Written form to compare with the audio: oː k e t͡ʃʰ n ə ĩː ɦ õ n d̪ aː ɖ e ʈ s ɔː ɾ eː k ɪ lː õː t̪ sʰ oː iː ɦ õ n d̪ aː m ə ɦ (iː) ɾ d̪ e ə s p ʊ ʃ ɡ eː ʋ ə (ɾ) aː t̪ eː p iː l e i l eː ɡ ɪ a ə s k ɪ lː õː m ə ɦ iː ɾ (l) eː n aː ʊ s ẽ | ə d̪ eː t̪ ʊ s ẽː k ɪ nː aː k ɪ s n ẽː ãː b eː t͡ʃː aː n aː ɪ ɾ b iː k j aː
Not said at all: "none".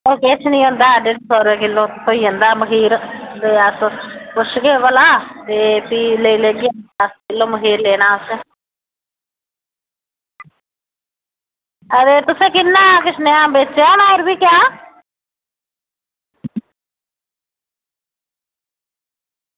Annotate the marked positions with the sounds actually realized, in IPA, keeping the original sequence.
iː, l, l

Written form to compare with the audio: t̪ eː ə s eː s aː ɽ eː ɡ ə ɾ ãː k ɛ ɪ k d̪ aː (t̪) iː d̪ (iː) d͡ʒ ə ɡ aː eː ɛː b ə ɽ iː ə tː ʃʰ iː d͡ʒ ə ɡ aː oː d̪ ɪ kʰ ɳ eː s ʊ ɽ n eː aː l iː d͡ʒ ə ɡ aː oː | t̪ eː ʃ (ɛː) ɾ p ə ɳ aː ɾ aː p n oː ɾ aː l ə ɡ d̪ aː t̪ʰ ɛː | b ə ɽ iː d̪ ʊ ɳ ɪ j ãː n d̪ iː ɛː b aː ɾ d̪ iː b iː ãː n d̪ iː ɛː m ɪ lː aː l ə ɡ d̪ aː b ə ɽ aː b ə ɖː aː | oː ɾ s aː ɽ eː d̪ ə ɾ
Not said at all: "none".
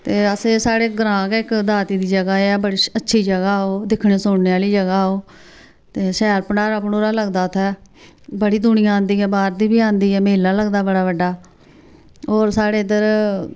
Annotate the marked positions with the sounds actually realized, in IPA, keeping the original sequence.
t̪, iː, ɛː

